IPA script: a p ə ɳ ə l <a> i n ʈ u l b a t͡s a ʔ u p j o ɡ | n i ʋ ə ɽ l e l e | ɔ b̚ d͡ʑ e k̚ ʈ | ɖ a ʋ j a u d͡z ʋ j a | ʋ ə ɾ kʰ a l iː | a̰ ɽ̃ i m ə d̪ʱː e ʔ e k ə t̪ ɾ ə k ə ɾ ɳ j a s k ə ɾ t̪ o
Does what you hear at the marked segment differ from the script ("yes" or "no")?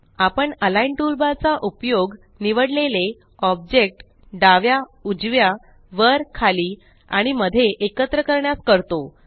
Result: no